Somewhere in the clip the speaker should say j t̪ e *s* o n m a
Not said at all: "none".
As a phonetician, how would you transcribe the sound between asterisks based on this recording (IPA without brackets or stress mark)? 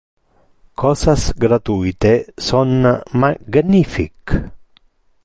s